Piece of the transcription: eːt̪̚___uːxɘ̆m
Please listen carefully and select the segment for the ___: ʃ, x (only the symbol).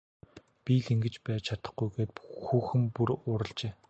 x